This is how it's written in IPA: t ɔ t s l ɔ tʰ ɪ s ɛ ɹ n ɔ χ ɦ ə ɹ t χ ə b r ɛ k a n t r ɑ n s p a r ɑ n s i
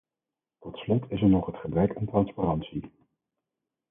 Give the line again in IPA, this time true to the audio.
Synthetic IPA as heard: t ɔ t s l ɔ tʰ ɪ s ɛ ɹ n ɔ χ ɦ ə t χ ə b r ɛ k a n t r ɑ n s p a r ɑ n s i